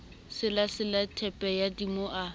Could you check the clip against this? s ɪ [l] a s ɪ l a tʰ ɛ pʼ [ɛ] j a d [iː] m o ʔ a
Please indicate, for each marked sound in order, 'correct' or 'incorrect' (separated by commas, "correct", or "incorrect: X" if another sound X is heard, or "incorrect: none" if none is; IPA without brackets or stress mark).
correct, correct, incorrect: i